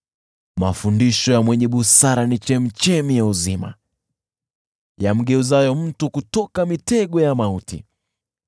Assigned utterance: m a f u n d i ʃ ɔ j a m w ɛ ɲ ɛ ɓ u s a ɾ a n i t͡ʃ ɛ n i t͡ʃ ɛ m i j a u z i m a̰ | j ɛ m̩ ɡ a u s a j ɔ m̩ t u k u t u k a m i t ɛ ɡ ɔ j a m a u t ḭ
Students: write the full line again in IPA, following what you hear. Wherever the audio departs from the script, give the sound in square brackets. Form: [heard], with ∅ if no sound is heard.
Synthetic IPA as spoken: m a f u n d i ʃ ɔ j a m w ɛ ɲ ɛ ɓ u s a ɾ a n i t͡ʃ ɛ [m] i t͡ʃ ɛ m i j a u z i m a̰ | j [a] m̩ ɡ [ɛ] u [z] a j ɔ m̩ t u k u t [ɔ] k a m i t ɛ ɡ ɔ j a m a u t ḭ